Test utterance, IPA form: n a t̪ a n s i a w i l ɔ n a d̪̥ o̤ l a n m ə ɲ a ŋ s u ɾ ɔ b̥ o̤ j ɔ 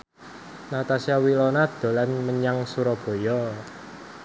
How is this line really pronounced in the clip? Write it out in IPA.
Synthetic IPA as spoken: n a t̪ a s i a w i l ɔ n a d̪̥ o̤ l a n m ə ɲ a ŋ s u ɾ ɔ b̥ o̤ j ɔ